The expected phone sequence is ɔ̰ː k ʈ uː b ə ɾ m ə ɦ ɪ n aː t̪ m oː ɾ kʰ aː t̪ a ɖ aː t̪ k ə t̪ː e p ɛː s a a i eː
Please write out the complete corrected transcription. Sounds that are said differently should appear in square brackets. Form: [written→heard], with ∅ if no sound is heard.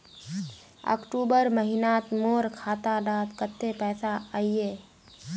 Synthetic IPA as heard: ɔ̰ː k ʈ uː b ə ɾ m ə ɦ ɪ n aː t̪ m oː ɾ kʰ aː t̪ a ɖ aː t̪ k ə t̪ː e p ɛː s a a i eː